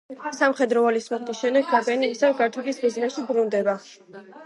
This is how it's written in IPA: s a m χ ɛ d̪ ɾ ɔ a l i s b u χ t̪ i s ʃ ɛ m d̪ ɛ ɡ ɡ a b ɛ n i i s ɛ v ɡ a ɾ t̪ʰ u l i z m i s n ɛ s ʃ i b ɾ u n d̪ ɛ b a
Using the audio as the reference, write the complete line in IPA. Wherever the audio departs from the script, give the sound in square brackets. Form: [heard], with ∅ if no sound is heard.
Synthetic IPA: s a m χ ɛ d̪ ɾ ɔ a l i s [m] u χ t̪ i s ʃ ɛ m d̪ ɛ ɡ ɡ a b ɛ n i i s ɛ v ɡ a ɾ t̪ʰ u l i [s] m i [z] n ɛ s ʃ i b ɾ u n d̪ ɛ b a

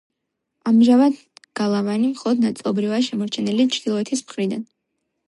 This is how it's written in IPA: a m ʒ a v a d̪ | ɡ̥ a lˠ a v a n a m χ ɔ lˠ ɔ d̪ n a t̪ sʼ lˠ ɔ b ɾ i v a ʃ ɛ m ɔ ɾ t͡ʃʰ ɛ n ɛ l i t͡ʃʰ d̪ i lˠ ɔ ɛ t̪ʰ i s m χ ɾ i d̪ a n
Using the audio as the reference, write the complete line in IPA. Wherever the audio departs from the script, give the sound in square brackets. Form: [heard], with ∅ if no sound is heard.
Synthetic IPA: a m ʒ a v a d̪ | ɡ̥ a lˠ a v a n [i] m χ ɔ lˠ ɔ d̪ n a t̪ sʼ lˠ ɔ b ɾ i v a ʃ ɛ m ɔ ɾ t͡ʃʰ ɛ n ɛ l i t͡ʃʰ d̪ i lˠ ɔ ɛ t̪ʰ i s m χ ɾ i d̪ a n

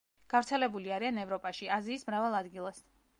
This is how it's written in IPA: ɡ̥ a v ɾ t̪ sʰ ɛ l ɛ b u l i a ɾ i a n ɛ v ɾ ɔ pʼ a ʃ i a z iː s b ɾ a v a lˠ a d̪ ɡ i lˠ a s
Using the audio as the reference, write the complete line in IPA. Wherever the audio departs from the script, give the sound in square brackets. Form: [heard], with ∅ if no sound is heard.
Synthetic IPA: ɡ̥ a v ɾ t̪ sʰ ɛ l ɛ b u l i a ɾ i a n ɛ v ɾ ɔ pʼ a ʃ i a z iː s [m] ɾ a v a lˠ a d̪ ɡ i lˠ a s

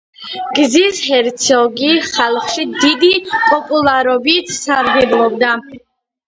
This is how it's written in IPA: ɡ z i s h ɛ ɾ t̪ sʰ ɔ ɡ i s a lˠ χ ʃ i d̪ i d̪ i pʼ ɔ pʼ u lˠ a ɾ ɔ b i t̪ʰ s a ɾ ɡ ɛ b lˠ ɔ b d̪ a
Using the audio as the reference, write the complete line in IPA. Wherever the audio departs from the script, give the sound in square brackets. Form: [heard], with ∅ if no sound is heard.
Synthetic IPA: ɡ z i s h ɛ ɾ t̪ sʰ ɔ ɡ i [χ] a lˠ χ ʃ i d̪ i d̪ i pʼ ɔ pʼ u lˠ a ɾ ɔ b i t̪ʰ s a ɾ ɡ ɛ b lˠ ɔ b d̪ a

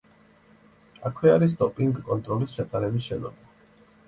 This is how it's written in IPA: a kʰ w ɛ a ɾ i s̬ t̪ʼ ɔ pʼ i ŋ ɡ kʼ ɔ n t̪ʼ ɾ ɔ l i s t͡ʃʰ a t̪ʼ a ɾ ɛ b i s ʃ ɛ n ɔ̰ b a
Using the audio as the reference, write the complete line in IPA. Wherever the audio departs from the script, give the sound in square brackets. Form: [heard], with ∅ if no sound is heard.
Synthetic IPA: a kʰ w ɛ a ɾ i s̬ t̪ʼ ɔ pʼ i ŋ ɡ kʼ ɔ n t̪ʼ ɾ ɔ l i s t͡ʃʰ a t̪ʼ a ɾ ɛ b i s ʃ ɛ n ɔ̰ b a

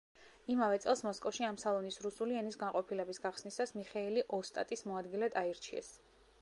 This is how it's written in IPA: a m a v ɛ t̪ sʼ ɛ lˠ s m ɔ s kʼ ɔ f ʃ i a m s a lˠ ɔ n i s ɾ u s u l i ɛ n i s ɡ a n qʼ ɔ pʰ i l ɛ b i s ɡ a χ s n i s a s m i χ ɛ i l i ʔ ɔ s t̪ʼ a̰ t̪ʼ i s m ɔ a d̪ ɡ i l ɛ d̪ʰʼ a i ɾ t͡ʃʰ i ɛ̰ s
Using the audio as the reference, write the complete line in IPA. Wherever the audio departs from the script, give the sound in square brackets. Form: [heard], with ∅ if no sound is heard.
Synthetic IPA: [i] m a v ɛ t̪ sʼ ɛ lˠ s m ɔ s kʼ ɔ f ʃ i a m s a lˠ ɔ n i s ɾ u s u l i ɛ n i s ɡ a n qʼ ɔ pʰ i l ɛ b i s ɡ a χ s n i s a s m i χ ɛ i l i ʔ ɔ s t̪ʼ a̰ t̪ʼ i s m ɔ a d̪ ɡ i l ɛ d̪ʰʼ a i ɾ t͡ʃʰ i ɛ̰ s

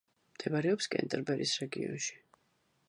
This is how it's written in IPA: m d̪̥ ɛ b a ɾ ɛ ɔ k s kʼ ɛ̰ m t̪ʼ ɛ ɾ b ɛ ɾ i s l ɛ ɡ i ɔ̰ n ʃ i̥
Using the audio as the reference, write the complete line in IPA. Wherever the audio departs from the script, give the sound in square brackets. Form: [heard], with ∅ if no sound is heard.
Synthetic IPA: m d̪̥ ɛ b a ɾ ɛ ɔ [p] s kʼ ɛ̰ [n] t̪ʼ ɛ ɾ b ɛ ɾ i s [ɾ] ɛ ɡ i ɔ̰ n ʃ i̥

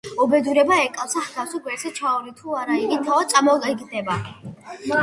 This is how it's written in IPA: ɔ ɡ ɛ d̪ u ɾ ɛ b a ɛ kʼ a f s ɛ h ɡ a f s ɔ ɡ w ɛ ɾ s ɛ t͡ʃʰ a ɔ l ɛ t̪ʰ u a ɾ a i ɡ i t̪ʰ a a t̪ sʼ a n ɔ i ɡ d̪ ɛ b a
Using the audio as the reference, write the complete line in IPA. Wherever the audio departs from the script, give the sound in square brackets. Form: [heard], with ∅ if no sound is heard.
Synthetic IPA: ɔ [b] ɛ d̪ u ɾ ɛ b a ɛ kʼ a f s [a] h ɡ a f s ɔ ɡ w ɛ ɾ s ɛ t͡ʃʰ a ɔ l [i] t̪ʰ u a ɾ a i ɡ i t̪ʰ a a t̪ sʼ a [m] ɔ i ɡ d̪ ɛ b a

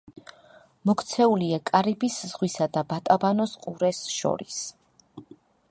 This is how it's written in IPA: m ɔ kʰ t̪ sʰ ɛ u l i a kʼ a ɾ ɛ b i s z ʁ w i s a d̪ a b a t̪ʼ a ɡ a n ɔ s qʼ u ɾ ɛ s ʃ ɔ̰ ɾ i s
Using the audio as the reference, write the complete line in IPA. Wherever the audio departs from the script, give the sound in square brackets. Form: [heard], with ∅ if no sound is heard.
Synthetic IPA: m ɔ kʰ t̪ sʰ ɛ u l i a kʼ a ɾ [i] b i s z ʁ w i s a d̪ a b a t̪ʼ a [b] a n ɔ s qʼ u ɾ ɛ s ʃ ɔ̰ ɾ i s

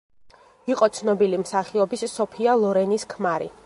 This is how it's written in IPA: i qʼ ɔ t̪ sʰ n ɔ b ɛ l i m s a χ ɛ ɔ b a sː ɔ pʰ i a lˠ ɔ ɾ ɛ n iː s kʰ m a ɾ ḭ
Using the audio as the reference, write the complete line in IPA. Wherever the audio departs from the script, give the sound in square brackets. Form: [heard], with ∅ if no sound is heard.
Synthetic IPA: i qʼ ɔ t̪ sʰ n ɔ b [i] l i m s a χ [i] ɔ b [i] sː ɔ pʰ i a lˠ ɔ ɾ ɛ n [i] s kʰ m a ɾ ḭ

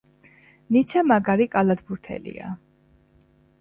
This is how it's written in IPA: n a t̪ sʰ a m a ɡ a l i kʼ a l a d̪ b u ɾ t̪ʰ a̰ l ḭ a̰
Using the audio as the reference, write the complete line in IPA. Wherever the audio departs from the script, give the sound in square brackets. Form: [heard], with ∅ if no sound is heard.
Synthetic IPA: n [i] t̪ sʰ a m a ɡ a [ɾ] i kʼ a l a d̪ b u ɾ t̪ʰ [ɛ̰] l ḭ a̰

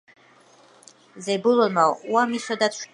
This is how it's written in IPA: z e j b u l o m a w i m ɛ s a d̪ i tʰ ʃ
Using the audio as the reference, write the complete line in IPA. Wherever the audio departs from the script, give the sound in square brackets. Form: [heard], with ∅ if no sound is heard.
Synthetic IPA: z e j b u l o m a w [a] m [i] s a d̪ [a] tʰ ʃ

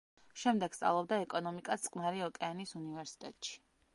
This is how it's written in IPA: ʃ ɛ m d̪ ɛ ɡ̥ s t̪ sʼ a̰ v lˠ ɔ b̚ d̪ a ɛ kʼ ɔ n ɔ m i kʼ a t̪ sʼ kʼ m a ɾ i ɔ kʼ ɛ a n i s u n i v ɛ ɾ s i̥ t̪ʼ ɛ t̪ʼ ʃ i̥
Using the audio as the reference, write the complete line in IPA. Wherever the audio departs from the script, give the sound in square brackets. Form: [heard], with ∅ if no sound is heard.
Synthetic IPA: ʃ ɛ m d̪ ɛ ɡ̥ s t̪ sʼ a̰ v lˠ ɔ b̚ d̪ a ɛ kʼ ɔ n ɔ m i kʼ a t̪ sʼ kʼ m a ɾ i ɔ kʼ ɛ a n i s u n i v ɛ ɾ s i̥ t̪ʼ ɛ t̪ʼ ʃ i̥

